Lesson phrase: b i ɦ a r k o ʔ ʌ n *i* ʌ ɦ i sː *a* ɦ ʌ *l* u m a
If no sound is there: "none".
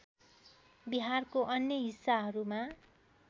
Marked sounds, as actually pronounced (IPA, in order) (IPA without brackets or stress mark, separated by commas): j, a, ɾ